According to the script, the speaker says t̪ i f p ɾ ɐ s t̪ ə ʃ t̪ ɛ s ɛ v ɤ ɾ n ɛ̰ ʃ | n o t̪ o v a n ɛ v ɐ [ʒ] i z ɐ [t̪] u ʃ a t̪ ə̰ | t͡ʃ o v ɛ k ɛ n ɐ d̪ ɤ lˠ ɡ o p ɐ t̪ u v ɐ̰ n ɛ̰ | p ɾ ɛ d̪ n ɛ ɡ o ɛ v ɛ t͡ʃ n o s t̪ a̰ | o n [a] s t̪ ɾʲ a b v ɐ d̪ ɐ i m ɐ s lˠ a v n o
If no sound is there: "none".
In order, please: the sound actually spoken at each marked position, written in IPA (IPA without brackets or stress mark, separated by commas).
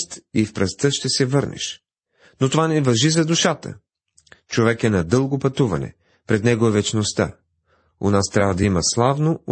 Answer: ʒ, d̪, a